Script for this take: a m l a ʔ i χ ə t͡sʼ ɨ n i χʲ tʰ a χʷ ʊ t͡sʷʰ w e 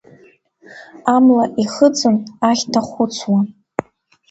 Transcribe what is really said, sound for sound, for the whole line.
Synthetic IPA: a m l a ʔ i χ ə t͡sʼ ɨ n a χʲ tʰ a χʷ ʊ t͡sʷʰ w a